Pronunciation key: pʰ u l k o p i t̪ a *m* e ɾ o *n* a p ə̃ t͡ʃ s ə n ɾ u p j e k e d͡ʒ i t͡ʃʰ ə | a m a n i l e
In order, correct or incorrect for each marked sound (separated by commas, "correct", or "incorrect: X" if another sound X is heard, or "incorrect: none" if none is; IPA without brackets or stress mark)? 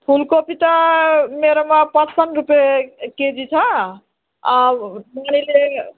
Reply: correct, incorrect: m